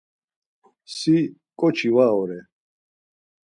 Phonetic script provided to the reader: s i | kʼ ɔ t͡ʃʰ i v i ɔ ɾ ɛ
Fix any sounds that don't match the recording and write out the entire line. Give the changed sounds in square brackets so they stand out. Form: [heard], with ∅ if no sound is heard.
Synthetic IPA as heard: s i | kʼ ɔ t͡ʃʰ i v [a] ɔ ɾ ɛ